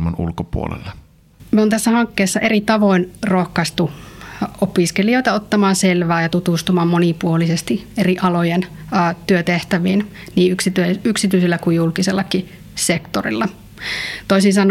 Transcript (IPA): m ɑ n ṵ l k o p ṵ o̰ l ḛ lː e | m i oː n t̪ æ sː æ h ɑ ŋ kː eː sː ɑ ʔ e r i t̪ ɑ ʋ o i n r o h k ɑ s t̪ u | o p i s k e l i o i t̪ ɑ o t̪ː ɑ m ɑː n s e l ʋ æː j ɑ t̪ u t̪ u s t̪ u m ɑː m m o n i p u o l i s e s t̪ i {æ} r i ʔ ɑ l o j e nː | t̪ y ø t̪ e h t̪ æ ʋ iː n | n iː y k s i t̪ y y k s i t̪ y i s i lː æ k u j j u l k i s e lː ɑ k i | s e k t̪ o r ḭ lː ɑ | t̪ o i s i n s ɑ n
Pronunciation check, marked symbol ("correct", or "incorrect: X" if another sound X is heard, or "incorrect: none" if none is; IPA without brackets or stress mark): incorrect: e